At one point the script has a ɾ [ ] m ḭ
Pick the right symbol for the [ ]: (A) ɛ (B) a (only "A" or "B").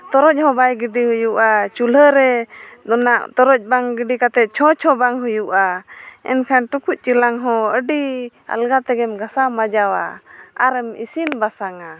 A